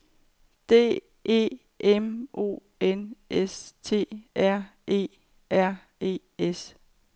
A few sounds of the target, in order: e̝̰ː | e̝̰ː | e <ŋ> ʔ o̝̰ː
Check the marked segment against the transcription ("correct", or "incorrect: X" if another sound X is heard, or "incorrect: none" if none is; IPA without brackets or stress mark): incorrect: m